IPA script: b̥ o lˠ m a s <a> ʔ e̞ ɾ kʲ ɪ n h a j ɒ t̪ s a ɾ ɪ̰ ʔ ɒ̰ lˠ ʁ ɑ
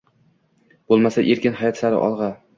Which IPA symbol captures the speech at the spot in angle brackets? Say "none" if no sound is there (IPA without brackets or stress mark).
a